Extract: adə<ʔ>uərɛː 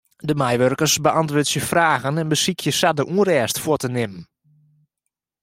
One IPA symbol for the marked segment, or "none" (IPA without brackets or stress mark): ʔ